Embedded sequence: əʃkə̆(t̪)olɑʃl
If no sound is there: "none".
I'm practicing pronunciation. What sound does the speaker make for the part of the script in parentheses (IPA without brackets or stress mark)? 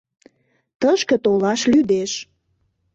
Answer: t̪